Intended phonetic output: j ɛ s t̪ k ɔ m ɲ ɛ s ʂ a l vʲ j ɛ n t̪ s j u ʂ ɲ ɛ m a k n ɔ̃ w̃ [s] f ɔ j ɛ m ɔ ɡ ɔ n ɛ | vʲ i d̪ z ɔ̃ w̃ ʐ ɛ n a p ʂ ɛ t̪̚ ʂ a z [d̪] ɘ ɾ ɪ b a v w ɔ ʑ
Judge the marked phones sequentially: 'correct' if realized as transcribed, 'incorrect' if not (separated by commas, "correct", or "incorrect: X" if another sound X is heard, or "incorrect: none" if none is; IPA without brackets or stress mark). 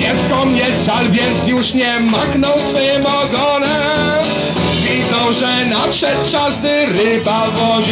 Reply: correct, correct